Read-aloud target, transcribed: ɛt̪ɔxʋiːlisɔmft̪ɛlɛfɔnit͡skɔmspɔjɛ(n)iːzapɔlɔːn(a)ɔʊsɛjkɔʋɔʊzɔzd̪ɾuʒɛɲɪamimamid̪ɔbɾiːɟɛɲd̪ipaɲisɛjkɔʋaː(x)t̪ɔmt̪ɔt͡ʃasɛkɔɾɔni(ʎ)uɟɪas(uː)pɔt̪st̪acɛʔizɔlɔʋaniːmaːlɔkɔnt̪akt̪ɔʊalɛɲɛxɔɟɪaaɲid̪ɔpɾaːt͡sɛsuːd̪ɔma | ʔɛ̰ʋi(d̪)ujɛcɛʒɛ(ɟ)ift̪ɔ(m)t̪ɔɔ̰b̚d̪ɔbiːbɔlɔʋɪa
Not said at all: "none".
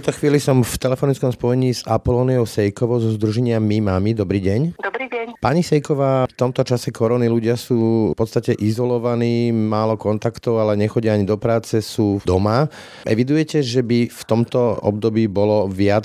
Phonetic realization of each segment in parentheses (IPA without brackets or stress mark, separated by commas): ɲ, i, f, l, uː, d̪, b, m